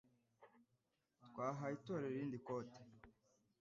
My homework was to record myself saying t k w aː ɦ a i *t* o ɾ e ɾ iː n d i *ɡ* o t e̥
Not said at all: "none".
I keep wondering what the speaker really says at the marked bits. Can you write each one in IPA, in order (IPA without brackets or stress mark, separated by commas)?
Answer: t, k